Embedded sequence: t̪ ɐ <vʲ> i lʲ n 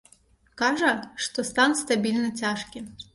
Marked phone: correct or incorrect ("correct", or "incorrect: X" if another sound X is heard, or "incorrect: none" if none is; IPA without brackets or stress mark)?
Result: incorrect: bʲ